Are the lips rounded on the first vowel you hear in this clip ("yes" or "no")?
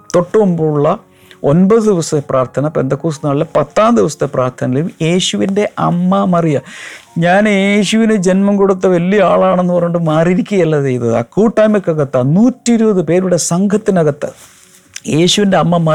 yes